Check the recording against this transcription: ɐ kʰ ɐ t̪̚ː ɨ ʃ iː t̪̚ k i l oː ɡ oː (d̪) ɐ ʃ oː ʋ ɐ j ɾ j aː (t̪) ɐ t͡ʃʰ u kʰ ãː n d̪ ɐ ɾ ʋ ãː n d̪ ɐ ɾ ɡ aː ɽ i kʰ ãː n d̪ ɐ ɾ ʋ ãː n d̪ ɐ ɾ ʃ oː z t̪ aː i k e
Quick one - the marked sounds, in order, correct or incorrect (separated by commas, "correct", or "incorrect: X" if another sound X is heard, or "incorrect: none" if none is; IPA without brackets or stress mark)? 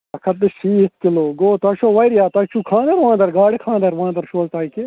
incorrect: t̪, correct